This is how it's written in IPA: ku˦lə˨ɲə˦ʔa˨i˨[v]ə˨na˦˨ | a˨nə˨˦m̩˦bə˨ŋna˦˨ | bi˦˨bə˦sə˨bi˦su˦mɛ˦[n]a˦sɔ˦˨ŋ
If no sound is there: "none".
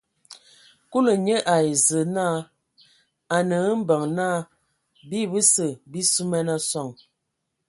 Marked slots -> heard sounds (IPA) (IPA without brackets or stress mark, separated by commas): z, n